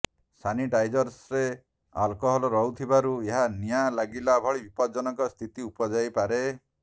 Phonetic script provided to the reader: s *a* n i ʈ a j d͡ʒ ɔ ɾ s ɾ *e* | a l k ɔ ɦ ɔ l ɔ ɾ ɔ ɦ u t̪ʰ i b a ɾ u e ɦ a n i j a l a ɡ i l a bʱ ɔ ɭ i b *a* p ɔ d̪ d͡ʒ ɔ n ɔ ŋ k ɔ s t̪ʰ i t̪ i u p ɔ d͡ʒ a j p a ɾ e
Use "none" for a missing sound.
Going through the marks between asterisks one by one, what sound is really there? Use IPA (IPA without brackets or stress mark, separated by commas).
a, e, i